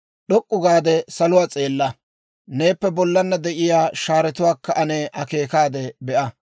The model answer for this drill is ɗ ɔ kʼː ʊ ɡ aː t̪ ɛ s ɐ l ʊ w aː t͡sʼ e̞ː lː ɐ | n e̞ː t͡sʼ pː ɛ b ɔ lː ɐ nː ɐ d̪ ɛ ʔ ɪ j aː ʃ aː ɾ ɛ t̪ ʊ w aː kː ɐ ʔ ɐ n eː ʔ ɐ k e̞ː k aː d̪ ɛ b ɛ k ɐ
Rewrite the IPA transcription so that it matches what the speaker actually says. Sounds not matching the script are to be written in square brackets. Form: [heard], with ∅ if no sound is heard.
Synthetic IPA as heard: ɗ ɔ kʼː ʊ ɡ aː [d̪] ɛ s ɐ l ʊ w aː t͡sʼ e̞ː lː ɐ | n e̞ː [∅] pː ɛ b ɔ lː ɐ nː ɐ d̪ ɛ ʔ ɪ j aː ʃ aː ɾ ɛ t̪ ʊ w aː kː ɐ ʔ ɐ n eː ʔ ɐ k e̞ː k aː d̪ ɛ b ɛ [ʔ] ɐ